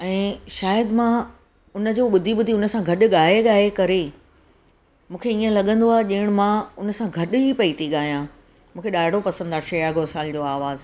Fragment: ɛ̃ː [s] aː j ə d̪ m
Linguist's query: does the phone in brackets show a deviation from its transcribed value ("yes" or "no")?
yes